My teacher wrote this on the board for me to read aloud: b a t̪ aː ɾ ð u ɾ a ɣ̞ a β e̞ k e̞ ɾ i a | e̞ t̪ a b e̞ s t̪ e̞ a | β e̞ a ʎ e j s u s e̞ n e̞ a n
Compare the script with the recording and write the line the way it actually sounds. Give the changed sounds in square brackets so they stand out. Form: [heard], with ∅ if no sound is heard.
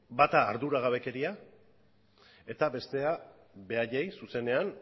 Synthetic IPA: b a t̪ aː ɾ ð u ɾ a ɣ̞ a β e̞ k e̞ ɾ i a | e̞ t̪ a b e̞ s t̪ e̞ a | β e̞ a ʎ e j s u s e̞ n e̞ a n